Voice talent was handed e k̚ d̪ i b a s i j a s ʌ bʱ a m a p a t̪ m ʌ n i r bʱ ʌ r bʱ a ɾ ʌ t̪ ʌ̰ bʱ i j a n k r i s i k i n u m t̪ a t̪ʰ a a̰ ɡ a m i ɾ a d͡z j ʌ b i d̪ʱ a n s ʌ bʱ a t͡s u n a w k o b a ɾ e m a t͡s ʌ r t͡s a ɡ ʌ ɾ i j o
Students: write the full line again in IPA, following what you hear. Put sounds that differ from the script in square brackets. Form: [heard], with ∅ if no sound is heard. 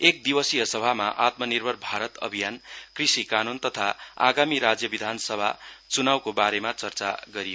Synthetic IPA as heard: e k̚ d̪ i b [ʌ] s i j [ʌ] s ʌ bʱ a m a [ʔ] a t̪ m ʌ n i r bʱ ʌ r bʱ a ɾ ʌ t̪ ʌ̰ bʱ i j a n k r i s i k [a] n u [n] t̪ [ʌ] t̪ʰ a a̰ ɡ a m i ɾ a d͡z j ʌ b i d̪ʱ a n s ʌ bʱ a t͡s u n a w k o b a ɾ e m a t͡s ʌ r t͡s a ɡ ʌ ɾ i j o